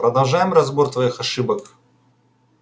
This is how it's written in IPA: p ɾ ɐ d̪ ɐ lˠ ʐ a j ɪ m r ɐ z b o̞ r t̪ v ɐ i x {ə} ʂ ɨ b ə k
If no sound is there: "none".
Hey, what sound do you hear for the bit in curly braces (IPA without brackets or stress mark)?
ɐ